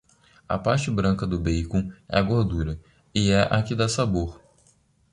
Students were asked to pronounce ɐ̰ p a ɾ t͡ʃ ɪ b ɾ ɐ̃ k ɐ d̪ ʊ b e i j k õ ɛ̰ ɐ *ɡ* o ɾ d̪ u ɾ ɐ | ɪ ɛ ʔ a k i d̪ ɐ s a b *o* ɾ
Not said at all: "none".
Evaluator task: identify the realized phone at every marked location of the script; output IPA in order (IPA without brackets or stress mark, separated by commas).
ɡ, o